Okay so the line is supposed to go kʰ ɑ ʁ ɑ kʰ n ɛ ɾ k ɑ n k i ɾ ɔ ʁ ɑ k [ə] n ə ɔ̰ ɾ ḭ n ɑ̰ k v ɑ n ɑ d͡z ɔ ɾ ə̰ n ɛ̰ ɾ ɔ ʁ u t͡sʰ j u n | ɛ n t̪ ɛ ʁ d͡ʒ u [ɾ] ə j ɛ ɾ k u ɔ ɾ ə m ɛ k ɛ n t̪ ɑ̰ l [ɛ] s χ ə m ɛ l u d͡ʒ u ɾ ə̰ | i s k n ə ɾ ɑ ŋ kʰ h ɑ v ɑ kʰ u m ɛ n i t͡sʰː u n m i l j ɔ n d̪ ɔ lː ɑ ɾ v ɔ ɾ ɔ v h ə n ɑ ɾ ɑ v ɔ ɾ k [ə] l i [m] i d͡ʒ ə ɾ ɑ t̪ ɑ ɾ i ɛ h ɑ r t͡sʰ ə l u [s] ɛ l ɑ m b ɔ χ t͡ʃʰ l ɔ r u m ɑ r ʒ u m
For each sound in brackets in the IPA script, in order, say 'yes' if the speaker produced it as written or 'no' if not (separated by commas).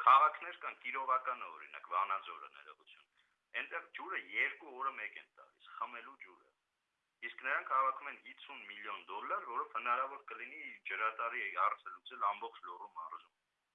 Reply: no, yes, no, yes, no, no